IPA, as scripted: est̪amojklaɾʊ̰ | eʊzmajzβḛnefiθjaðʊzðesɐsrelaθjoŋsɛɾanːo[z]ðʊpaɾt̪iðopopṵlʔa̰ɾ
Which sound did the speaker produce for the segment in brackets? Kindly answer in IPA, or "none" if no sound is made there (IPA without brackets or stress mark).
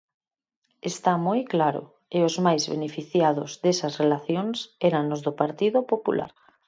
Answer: z